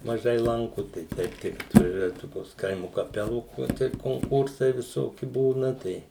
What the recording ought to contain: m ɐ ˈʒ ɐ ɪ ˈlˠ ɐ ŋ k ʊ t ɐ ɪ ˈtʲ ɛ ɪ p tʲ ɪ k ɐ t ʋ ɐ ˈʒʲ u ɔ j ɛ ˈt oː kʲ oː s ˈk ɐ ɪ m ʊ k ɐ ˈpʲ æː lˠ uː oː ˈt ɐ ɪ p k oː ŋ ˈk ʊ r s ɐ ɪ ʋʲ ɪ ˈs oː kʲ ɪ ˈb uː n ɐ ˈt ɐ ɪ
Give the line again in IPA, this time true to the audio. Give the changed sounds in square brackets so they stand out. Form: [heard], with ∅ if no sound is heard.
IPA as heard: m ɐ ˈʒ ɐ ɪ ˈlˠ ɐ ŋ k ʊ t ɐ ɪ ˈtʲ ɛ ɪ p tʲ ɪ k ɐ t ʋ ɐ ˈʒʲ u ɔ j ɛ ˈt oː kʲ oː s ˈk ɐ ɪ m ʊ k ɐ ˈpʲ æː lˠ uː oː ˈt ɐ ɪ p k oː ŋ ˈk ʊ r s ɐ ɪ ʋʲ ɪ ˈs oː kʲ ɪ ˈb uː n ɐ ˈt ɐ ɪ